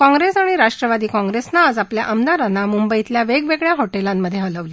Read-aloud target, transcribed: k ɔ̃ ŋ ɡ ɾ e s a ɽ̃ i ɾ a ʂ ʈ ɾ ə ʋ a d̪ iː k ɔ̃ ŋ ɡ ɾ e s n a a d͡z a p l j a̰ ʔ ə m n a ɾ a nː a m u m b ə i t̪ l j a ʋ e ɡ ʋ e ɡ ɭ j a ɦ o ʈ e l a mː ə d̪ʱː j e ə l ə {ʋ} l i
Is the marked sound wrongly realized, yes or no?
no